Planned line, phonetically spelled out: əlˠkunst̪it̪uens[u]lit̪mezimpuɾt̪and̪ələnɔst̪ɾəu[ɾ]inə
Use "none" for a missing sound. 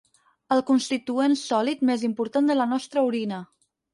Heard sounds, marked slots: ɔ, ɾ

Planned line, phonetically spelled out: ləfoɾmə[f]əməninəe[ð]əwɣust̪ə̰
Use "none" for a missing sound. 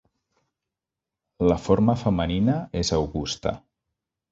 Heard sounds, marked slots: f, z

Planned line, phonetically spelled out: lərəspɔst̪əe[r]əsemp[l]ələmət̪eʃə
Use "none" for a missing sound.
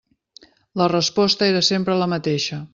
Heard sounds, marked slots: ɾ, ɾ

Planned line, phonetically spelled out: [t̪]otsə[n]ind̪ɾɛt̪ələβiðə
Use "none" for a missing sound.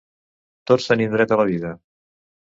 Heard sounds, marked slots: t̪, n

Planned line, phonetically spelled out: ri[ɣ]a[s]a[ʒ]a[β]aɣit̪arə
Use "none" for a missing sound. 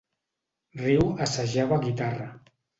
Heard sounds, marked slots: w, s, ʒ, β

